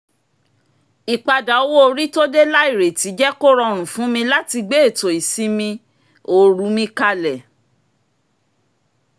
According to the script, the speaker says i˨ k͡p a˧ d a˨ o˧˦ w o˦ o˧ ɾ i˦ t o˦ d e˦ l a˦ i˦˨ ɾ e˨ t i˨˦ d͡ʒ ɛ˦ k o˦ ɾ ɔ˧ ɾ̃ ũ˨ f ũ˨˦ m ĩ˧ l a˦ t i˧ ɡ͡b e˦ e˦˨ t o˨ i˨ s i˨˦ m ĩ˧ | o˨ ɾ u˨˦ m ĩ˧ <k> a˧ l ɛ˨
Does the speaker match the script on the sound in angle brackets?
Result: yes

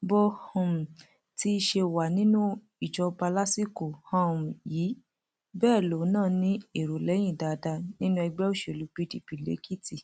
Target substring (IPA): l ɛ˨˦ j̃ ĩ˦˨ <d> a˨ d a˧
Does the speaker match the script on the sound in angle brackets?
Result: yes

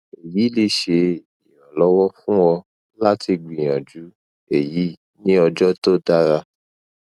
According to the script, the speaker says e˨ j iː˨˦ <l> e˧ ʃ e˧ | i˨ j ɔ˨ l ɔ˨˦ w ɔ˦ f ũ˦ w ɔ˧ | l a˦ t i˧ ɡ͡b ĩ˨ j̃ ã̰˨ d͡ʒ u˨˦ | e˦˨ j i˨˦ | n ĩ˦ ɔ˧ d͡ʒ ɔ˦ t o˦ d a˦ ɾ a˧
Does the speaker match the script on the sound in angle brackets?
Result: yes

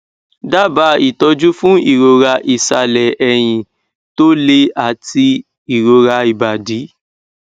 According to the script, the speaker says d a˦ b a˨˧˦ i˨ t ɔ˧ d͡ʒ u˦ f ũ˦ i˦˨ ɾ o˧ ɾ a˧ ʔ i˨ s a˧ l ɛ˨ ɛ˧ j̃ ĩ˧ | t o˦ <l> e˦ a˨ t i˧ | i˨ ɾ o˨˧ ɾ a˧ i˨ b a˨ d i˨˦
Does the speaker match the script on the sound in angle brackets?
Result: yes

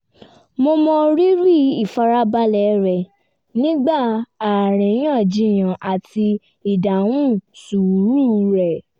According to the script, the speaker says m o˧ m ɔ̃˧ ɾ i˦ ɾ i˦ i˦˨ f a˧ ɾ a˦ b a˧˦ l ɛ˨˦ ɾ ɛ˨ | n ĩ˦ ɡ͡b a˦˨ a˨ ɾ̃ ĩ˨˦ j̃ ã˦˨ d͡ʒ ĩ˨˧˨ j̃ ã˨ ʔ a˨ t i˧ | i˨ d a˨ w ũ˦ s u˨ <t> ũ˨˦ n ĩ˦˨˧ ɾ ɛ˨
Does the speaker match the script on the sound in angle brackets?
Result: no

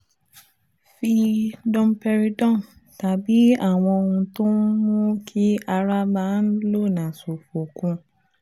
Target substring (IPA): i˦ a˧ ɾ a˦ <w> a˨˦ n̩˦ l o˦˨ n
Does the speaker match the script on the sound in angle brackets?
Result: no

